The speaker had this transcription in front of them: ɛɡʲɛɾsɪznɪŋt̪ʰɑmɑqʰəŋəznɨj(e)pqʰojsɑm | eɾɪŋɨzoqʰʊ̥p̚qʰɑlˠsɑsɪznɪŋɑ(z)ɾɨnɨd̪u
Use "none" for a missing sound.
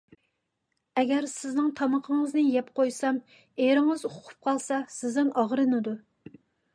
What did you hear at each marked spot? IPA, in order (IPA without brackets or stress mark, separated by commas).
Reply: ɛ, ʁ